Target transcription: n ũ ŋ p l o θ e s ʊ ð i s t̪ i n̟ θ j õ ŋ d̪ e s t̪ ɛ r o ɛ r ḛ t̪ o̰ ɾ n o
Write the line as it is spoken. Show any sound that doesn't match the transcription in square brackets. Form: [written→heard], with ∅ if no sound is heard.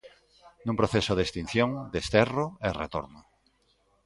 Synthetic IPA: n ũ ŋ p [l→ɾ] o θ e s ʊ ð [i→e] s t̪ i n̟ θ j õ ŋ d̪ e s t̪ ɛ r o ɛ r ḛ t̪ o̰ ɾ n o

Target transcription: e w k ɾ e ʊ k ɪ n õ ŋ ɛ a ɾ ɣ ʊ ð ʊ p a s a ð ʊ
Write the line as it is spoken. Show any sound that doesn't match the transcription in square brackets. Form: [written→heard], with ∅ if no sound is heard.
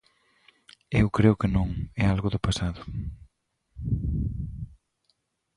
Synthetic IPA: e w k ɾ e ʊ k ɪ n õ ŋ ɛ a [ɾ→l] ɣ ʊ ð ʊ p a s a ð ʊ

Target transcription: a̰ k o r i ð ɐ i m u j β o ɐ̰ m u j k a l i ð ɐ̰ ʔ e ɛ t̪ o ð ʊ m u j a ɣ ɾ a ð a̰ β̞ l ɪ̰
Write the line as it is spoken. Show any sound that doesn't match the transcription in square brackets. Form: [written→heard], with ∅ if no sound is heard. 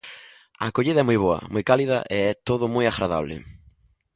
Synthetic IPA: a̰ k o [r→ʎ] i ð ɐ [i→ɛ] m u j β o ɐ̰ m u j k a l i ð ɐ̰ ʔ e ɛ t̪ o ð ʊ m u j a ɣ ɾ a ð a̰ β̞ l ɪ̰

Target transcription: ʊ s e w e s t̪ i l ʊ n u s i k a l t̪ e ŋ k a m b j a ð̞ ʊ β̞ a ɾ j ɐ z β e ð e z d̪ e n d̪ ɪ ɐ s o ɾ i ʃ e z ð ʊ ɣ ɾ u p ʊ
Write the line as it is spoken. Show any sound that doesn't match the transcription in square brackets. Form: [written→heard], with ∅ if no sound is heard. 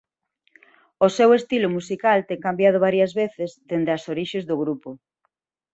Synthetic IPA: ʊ s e w e s t̪ i l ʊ [n→m] u s i k a l t̪ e ŋ k a m b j a ð̞ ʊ β̞ a ɾ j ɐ z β e [ð→θ] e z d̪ e n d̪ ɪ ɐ s o ɾ i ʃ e z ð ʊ ɣ ɾ u p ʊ

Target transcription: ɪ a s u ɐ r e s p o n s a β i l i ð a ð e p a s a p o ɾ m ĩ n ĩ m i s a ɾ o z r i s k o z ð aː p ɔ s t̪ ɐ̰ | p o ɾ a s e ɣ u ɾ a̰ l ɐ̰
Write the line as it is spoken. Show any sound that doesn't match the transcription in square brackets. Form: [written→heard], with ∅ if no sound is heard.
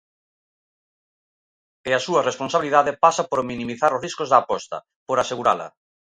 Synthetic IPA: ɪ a s u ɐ r e s p o n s a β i l i ð a ð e p a s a p o ɾ m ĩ n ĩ m i [s→θ] a ɾ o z r i s k o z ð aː p ɔ s t̪ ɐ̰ | p o ɾ a s e ɣ u ɾ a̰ l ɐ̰

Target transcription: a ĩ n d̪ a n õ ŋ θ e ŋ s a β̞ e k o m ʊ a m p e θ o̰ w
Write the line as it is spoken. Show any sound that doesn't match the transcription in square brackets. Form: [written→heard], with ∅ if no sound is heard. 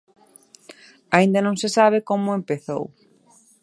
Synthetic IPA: a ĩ n d̪ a n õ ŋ [θ→s] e [ŋ→∅] s a β̞ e k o m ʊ [a→e] m p e θ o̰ w

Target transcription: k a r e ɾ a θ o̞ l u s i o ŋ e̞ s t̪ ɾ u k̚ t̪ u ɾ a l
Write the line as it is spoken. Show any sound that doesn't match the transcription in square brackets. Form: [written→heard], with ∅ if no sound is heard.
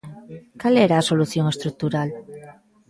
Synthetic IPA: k a [r→l] e ɾ a [θ→s] o̞ l u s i o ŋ e̞ s t̪ ɾ u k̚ t̪ u ɾ a l

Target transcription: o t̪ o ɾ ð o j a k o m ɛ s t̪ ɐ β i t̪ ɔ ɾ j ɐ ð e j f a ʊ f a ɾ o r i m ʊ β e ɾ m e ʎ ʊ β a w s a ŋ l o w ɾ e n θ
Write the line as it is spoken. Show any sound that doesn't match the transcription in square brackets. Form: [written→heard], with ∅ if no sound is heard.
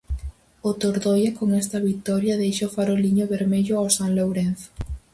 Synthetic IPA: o t̪ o ɾ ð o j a k o [m→ŋ] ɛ s t̪ ɐ β i t̪ ɔ ɾ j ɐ ð e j [f→ʃ] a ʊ f a ɾ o [r→l] i [m→ɲ] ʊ β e ɾ m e ʎ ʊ [β→∅] a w s a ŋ l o w ɾ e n θ

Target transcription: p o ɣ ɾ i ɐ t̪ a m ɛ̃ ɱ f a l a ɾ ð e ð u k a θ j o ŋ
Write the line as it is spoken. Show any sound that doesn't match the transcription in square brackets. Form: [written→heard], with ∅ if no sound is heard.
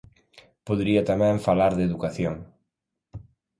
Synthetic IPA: p o [ɣ→ð] ɾ i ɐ t̪ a m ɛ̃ ɱ f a l a ɾ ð e ð u k a θ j o ŋ

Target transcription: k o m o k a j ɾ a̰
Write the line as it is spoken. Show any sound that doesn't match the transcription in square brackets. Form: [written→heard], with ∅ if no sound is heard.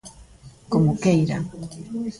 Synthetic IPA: k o m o k [a→e] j ɾ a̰

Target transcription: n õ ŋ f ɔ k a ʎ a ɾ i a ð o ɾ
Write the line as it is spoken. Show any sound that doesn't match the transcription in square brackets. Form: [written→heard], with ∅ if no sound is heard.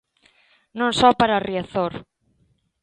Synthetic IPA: n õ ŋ [f→s] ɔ [k→p] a [ʎ→ɾ] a [ɾ→r] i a [ð→θ] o ɾ

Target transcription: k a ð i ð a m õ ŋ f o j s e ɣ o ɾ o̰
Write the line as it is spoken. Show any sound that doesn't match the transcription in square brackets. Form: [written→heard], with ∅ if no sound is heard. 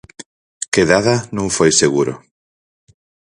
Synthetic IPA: k [a→e] ð [i→a] ð a [m→n] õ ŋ f o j s e ɣ [o→u] ɾ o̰

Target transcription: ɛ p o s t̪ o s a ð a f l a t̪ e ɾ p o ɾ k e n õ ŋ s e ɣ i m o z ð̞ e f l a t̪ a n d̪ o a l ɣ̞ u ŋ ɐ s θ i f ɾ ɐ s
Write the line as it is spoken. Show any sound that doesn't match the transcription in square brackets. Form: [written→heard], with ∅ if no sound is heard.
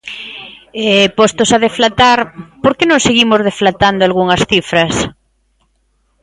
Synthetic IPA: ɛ p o s t̪ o s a ð [a→e] f l a t̪ [e→a] ɾ p o ɾ k e n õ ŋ s e ɣ i m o z ð̞ e f l a t̪ a n d̪ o a l ɣ̞ u ŋ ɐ s θ i f ɾ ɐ s

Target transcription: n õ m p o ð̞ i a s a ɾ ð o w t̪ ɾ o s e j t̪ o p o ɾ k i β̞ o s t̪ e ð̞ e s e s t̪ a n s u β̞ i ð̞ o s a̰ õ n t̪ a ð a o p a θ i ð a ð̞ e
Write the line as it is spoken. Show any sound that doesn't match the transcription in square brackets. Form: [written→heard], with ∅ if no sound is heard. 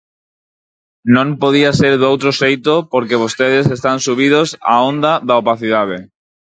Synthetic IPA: n õ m p o ð̞ i a s [a→e] ɾ ð o w t̪ ɾ o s e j t̪ o p o ɾ k [i→e] β̞ o s t̪ e ð̞ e s e s t̪ a n s u β̞ i ð̞ o s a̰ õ n [t̪→d̪] a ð a o p a θ i ð a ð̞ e

